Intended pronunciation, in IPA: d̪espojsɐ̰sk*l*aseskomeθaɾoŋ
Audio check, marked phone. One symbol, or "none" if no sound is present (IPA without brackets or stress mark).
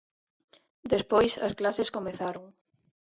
l